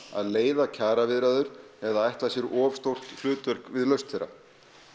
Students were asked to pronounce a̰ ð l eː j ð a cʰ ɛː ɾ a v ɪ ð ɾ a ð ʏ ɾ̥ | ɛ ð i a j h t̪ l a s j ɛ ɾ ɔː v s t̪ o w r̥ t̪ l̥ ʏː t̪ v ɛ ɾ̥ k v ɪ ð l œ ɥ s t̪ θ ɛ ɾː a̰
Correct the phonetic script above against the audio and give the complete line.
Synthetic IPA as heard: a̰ ð l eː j ð a cʰ aː ɾ a v ɪ ð ɾ a ð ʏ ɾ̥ | ɛ ð a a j h t̪ l a s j ɛ ɾ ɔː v s t̪ o w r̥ t̪ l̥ ʏː t̪ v ɛ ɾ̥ k v ɪ ð l œ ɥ s t̪ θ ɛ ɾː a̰